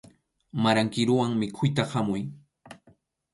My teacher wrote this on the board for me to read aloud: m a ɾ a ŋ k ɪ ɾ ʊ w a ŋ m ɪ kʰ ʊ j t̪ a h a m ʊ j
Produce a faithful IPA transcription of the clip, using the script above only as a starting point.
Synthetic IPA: m a ɾ a ŋ k ɪ ɾ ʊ w a ŋ m ɪ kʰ ʊ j t̪ a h a m ʊ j